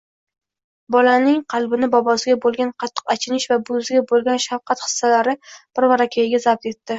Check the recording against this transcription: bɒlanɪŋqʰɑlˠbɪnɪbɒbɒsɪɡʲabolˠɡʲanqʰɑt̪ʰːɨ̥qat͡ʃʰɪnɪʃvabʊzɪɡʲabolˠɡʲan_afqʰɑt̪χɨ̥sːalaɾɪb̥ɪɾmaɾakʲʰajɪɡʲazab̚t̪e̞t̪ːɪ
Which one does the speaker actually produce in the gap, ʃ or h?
ʃ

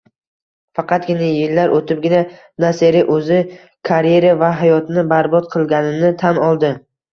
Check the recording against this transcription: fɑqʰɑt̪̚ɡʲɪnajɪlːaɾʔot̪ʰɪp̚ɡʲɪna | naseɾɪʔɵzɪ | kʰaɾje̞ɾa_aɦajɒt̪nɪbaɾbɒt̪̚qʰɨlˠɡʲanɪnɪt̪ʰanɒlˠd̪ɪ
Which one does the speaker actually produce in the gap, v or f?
v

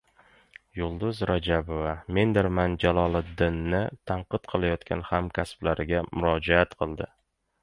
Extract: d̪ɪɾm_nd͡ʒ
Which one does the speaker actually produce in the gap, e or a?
a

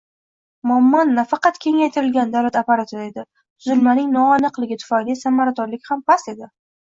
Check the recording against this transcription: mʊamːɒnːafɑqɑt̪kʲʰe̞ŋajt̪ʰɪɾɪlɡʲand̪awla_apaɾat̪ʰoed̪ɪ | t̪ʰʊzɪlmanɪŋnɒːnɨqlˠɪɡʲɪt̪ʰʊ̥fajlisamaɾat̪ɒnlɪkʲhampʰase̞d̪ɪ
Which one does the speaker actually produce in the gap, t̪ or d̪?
t̪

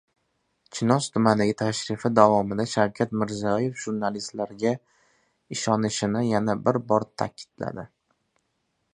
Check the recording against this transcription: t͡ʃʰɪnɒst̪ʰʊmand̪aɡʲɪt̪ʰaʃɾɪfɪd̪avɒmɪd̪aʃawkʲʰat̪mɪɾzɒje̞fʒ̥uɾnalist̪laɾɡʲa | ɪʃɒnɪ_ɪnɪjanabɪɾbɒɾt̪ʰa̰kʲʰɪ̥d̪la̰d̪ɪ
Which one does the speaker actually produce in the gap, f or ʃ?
ʃ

